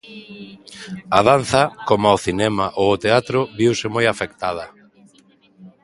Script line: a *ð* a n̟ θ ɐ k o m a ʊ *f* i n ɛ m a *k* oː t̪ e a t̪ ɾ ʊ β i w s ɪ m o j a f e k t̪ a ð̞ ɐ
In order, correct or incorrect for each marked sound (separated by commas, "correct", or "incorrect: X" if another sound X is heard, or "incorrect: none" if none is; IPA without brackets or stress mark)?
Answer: correct, incorrect: θ, incorrect: ʔ